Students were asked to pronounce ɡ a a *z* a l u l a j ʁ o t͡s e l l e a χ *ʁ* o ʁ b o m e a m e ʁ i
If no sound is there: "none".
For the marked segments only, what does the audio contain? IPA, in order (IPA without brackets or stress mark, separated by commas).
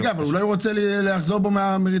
v, z